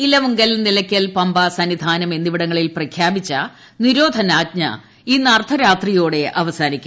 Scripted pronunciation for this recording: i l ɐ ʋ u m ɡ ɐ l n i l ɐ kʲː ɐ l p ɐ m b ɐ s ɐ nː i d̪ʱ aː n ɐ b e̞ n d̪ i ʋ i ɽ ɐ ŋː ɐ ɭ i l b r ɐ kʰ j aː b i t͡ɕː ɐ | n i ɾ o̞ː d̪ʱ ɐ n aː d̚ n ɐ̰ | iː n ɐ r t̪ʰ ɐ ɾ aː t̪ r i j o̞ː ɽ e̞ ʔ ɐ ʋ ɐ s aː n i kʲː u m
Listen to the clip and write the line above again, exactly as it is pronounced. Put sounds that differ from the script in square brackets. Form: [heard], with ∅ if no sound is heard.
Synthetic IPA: i l ɐ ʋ u [ŋ] ɡ ɐ l n i l ɐ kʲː ɐ l p ɐ m b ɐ s ɐ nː i d̪ʱ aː n ɐ [m] e̞ n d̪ i ʋ i ɽ ɐ ŋː ɐ ɭ i l [p] r ɐ kʰ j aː b i t͡ɕː ɐ | n i ɾ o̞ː d̪ʱ ɐ n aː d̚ [ɲ] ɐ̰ | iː n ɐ r t̪ʰ ɐ ɾ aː t̪ r i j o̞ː ɽ e̞ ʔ ɐ ʋ ɐ s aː n i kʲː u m